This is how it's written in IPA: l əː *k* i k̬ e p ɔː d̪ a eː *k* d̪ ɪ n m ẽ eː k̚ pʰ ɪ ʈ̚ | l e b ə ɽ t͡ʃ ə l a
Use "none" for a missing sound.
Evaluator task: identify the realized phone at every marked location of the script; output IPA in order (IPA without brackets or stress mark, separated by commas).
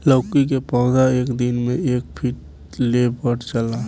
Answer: k, k